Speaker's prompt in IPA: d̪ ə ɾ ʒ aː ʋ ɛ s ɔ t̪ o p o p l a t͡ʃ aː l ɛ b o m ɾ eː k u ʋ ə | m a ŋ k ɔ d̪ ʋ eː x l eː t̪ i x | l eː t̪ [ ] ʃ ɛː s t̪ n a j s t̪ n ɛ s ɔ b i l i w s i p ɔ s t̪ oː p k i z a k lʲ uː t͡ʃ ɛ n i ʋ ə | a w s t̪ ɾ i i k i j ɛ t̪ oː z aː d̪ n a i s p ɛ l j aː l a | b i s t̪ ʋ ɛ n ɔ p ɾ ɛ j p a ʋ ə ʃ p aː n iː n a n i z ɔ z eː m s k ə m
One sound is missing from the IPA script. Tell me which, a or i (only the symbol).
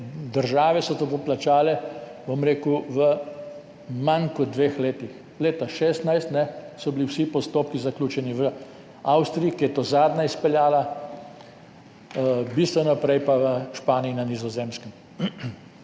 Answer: a